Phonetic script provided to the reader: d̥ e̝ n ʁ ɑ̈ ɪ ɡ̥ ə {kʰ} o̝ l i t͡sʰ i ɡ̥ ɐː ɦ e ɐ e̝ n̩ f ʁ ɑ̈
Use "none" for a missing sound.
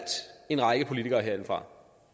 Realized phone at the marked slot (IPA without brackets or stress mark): pʰ